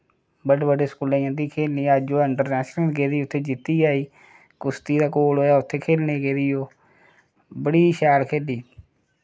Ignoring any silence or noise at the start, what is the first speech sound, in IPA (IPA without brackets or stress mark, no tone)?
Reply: b